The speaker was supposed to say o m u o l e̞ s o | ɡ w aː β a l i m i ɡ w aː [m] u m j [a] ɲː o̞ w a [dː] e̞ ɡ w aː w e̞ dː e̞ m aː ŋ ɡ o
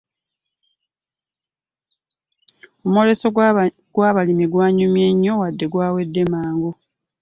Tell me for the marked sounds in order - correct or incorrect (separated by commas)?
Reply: incorrect, incorrect, correct